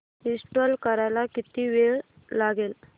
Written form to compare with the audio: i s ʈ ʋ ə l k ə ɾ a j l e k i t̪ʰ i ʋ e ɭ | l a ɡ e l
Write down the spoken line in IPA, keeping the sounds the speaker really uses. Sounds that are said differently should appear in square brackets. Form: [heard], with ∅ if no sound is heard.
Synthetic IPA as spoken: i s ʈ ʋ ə l k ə ɾ a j l [a] k i [t̪] i ʋ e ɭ | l a ɡ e l